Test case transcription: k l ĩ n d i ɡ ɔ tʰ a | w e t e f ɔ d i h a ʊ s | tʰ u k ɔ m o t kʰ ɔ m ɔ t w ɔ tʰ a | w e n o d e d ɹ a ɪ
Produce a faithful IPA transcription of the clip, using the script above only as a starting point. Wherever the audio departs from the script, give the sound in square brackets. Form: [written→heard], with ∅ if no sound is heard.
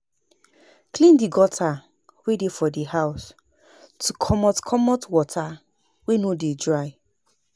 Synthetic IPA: k l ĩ n d i ɡ ɔ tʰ a | w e [t→d] e f ɔ d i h a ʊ s | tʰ u [k→kʰ] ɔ m [o→ɔ] t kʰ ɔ m ɔ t w ɔ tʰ a | w e n o d e d ɹ a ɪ